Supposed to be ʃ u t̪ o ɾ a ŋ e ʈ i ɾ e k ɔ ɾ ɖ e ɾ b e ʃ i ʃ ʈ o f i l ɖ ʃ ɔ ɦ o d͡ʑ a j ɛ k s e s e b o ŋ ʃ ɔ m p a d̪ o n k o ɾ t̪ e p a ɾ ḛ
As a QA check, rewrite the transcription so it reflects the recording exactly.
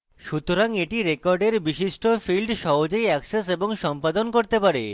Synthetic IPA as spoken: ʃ u t̪ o ɾ a ŋ e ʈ i ɾ e k ɔ ɾ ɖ e ɾ b i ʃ i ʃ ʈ o f i l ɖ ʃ ɔ ɦ o d͡ʑ e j ɛ k s e s e b o ŋ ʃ ɔ m p a d̪ o n k o ɾ t̪ e p a ɾ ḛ